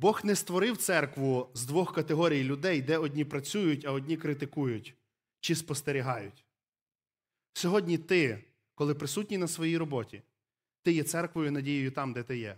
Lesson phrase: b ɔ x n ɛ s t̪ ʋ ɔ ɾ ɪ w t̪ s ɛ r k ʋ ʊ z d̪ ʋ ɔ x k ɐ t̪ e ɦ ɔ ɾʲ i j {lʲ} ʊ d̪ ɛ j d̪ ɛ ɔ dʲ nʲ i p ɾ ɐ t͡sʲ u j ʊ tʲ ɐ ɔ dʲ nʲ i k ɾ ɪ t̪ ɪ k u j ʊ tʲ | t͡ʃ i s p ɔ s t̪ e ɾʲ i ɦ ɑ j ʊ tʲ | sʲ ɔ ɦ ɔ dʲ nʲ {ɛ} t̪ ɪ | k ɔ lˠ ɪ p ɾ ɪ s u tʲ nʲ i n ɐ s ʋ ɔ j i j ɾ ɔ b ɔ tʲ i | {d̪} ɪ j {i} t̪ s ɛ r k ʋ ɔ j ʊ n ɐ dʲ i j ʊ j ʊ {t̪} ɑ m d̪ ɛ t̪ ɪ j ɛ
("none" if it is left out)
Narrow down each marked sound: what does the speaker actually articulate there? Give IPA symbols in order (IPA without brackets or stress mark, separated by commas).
lʲ, i, t̪, ɛ, t̪